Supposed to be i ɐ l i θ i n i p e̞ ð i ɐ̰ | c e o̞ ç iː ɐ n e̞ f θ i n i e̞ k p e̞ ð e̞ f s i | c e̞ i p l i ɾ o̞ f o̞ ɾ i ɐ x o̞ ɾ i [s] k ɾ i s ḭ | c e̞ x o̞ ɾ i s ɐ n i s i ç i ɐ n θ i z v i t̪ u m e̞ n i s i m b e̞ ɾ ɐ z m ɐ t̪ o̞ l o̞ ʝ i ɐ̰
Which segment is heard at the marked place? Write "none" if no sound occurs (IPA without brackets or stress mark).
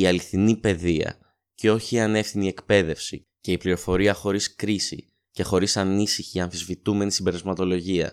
s